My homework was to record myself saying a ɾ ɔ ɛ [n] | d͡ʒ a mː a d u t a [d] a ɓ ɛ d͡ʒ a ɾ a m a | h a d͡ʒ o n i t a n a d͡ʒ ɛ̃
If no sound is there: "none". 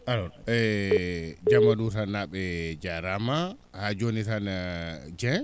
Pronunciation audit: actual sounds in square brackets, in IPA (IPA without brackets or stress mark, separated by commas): none, n